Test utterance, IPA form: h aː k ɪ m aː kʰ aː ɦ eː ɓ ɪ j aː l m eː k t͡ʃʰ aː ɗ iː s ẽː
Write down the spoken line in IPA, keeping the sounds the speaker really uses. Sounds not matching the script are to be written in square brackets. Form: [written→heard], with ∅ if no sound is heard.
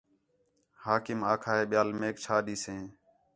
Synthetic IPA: h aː k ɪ m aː kʰ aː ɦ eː ɓ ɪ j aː l m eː k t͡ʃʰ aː ɗ iː s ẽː